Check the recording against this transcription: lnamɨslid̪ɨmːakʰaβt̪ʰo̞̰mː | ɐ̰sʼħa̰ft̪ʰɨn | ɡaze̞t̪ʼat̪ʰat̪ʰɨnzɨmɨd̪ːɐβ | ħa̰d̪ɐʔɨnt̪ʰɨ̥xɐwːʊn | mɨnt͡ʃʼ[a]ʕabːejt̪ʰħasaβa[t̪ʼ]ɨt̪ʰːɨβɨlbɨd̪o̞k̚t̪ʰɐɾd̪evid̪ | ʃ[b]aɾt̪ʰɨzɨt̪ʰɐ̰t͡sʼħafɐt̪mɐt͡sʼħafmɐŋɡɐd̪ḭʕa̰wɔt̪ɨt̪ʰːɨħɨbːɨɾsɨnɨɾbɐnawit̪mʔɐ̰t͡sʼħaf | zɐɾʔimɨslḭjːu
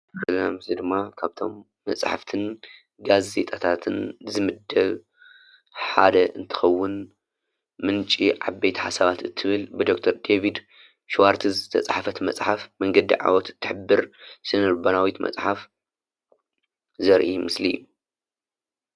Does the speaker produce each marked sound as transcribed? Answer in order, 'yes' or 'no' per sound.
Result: no, no, no

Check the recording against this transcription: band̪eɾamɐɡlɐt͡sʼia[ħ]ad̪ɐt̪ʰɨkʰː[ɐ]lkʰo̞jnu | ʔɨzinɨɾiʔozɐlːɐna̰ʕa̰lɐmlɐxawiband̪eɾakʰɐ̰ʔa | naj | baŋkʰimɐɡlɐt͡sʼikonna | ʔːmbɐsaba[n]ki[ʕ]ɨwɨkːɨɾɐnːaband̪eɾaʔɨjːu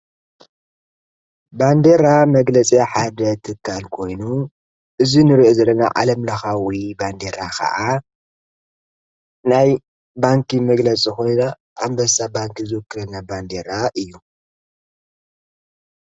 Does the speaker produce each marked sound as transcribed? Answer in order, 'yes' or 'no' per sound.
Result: yes, no, no, no

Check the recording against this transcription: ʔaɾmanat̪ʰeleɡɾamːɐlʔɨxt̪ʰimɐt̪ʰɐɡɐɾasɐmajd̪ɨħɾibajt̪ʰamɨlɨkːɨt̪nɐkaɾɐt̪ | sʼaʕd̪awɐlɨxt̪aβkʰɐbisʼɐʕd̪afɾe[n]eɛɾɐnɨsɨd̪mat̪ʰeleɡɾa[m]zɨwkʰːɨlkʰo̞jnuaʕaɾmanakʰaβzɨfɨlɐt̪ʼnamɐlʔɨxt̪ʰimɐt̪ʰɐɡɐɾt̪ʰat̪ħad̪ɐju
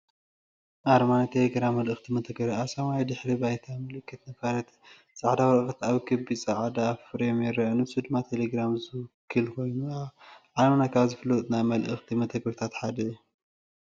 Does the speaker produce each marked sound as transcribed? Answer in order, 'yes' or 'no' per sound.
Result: no, yes

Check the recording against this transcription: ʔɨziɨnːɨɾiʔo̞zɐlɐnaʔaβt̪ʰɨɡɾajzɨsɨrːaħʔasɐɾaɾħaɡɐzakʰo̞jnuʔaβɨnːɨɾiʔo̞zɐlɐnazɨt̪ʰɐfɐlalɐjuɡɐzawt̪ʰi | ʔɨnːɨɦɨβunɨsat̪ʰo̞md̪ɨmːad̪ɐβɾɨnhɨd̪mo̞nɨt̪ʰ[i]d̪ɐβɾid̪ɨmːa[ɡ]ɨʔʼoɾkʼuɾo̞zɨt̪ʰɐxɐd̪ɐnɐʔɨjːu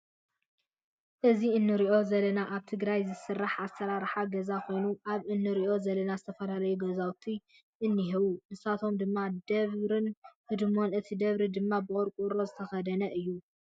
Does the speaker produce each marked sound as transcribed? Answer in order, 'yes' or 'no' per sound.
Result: yes, no

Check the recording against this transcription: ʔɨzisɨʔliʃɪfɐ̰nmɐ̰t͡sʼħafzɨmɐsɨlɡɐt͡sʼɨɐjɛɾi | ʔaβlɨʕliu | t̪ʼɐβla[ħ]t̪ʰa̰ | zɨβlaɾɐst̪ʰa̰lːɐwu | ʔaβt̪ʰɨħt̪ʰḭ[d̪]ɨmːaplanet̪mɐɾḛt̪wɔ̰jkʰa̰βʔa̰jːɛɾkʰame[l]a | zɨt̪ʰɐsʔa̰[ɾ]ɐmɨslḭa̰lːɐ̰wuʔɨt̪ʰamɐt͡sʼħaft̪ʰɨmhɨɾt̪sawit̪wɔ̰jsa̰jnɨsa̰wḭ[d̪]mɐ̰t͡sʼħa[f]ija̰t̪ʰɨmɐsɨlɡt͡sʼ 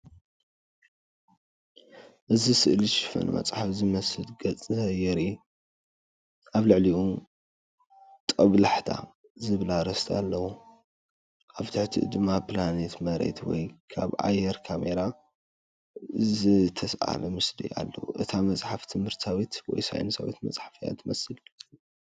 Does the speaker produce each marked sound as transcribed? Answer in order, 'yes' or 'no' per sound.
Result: yes, yes, no, no, no, yes

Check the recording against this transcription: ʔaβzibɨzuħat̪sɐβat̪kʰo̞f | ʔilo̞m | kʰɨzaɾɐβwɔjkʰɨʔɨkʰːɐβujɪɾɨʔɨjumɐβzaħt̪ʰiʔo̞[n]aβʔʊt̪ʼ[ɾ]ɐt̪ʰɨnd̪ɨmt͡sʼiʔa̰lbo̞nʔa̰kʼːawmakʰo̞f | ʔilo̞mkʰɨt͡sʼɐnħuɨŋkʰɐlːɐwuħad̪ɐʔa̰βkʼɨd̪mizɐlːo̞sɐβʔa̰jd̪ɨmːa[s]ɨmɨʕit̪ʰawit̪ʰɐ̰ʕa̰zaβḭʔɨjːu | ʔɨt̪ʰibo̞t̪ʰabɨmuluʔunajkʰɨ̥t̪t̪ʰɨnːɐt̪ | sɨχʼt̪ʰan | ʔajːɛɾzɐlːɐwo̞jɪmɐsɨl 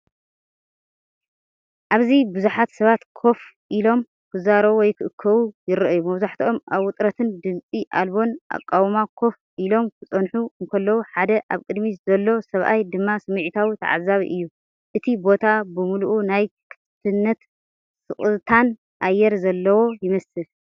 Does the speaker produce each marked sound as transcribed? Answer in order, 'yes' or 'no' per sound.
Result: no, yes, yes

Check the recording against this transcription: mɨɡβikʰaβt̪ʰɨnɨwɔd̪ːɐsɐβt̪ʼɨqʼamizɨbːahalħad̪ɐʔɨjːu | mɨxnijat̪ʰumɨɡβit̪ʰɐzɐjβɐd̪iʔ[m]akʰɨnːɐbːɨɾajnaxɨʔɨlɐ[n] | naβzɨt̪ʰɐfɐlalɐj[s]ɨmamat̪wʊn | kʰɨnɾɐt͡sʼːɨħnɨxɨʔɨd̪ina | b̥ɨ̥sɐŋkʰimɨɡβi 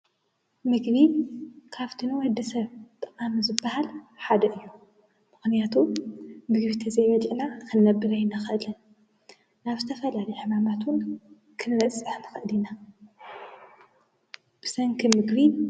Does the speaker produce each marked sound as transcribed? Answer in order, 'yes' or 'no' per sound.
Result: no, yes, no

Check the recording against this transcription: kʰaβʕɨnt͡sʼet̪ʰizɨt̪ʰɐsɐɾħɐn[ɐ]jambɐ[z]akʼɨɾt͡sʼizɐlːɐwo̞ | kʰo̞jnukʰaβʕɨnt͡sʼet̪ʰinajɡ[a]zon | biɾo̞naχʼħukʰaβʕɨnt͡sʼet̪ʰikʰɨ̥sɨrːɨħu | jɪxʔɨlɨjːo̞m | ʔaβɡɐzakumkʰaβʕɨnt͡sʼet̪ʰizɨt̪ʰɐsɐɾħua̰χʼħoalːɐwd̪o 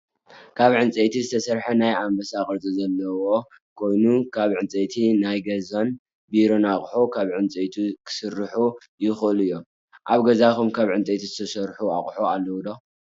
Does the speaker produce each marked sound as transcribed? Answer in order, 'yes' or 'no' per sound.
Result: no, no, no

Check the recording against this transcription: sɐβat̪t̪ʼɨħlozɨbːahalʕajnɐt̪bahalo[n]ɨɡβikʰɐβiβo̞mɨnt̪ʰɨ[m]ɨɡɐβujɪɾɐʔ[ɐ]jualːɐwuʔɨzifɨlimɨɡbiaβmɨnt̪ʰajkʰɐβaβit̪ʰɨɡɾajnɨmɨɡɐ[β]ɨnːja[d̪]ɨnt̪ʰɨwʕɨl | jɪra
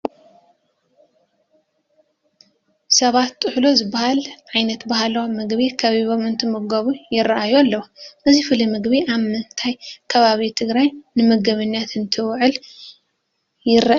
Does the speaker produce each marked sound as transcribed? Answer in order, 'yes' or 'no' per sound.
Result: no, yes, no, yes, no

